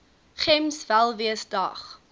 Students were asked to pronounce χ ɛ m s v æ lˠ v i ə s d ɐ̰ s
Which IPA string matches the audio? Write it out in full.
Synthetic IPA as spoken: χ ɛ m s v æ lˠ v i ə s d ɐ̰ χ